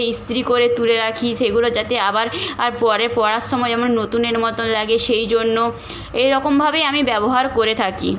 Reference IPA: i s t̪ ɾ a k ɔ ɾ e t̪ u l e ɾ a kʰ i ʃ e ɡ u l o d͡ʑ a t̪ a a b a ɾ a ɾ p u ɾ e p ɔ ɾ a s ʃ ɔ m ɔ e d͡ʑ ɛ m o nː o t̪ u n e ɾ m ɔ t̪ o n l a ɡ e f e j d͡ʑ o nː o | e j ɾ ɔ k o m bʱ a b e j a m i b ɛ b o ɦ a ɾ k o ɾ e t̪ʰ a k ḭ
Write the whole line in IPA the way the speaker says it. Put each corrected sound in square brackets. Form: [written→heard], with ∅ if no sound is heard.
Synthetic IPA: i s t̪ ɾ [a→i] k [ɔ→o] ɾ e t̪ u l e ɾ a kʰ i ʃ e ɡ u l o d͡ʑ a t̪ [a→e] a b a ɾ a ɾ p [u→ɔ] ɾ e p ɔ ɾ a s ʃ ɔ m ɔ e d͡ʑ ɛ m o nː o t̪ u n e ɾ m ɔ t̪ o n l a ɡ e [f→ʃ] e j d͡ʑ o nː o | e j ɾ ɔ k o m bʱ a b e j a m i b ɛ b o ɦ a ɾ k o ɾ e t̪ʰ a k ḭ